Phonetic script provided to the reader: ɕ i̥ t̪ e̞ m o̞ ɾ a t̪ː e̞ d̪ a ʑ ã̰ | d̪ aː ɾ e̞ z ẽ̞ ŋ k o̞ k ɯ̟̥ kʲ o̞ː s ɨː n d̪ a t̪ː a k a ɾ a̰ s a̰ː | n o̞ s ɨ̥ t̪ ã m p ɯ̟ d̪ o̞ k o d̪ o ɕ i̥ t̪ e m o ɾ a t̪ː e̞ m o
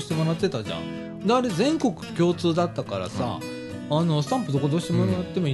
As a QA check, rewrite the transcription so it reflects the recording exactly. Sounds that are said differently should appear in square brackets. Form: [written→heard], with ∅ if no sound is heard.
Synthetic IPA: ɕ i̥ t̪ e̞ m o̞ ɾ a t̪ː e̞ [d̪→t̪] a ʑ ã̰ | d̪ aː ɾ e̞ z ẽ̞ ŋ k o̞ k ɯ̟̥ kʲ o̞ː [s→t͡s] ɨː [n→∅] d̪ a t̪ː a k a ɾ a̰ s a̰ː | n o̞ s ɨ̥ t̪ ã m p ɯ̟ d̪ o̞ k o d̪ o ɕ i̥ t̪ e m o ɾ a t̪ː e̞ m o